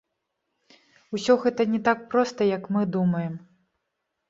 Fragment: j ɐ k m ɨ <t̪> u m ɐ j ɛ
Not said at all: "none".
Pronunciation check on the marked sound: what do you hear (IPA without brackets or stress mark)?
d̪